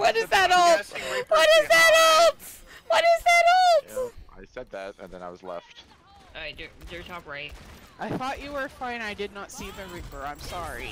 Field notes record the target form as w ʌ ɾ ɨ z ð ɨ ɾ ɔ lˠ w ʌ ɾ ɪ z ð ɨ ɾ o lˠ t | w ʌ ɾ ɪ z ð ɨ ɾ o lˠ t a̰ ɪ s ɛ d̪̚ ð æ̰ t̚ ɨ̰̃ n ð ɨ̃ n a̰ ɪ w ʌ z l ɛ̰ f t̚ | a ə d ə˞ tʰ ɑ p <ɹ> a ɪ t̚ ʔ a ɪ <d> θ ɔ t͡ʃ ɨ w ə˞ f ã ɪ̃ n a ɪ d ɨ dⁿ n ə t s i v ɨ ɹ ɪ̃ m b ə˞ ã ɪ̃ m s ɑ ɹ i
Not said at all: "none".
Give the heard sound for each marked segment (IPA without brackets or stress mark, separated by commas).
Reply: ɹ, none